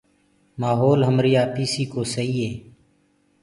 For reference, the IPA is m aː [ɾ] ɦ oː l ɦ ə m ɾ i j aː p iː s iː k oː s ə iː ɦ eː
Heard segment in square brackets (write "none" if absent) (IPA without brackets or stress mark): none